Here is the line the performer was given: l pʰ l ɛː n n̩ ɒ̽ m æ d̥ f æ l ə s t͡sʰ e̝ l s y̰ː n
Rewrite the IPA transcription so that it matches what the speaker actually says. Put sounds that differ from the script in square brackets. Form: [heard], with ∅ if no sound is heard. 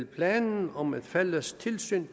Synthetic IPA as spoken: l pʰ l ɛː n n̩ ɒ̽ m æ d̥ f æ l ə s t͡sʰ e̝ l s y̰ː n

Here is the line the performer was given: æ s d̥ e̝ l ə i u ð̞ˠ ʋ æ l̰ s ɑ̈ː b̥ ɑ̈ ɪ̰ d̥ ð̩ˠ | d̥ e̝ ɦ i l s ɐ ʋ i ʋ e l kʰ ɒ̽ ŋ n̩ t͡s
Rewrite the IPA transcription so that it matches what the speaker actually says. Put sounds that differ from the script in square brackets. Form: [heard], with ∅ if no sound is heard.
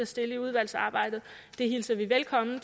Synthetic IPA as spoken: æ s d̥ e̝ l ə i u ð̞ˠ ʋ æ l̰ s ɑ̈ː b̥ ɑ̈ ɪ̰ d̥ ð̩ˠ | d̥ e̝ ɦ i l s ɐ ʋ i ʋ e l kʰ ɒ̽ [m] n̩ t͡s

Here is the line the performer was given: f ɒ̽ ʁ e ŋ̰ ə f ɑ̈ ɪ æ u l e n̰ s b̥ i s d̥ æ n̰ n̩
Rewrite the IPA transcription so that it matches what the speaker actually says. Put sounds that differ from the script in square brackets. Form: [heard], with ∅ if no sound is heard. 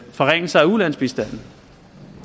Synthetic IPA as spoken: f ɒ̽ ʁ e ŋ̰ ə [s] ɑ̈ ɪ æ u l [æ] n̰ s b̥ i s d̥ æ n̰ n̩

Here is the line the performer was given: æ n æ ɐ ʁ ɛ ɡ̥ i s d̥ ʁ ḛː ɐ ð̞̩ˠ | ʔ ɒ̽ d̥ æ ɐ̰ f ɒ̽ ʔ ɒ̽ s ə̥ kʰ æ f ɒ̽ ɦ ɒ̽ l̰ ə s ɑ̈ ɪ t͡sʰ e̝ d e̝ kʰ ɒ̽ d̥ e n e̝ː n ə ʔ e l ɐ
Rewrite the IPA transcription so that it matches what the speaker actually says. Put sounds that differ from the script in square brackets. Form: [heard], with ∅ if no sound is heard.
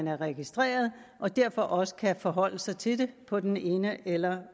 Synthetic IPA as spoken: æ n æ ɐ ʁ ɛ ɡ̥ i s d̥ ʁ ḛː ɐ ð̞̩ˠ | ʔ ɒ̽ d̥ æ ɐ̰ f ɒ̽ ʔ ɒ̽ s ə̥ kʰ æ f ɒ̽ ɦ ɒ̽ l̰ ə s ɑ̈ ɪ t͡sʰ e̝ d e̝ [pʰ] ɒ̽ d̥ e n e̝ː n ə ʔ e l ɐ

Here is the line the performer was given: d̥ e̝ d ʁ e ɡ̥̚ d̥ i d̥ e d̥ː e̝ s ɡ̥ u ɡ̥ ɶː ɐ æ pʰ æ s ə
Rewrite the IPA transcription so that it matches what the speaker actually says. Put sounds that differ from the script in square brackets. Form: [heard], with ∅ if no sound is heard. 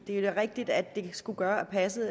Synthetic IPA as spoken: d̥ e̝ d ʁ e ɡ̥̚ d̥ i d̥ [æ] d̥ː e̝ s ɡ̥ u ɡ̥ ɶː ɐ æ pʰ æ s ə

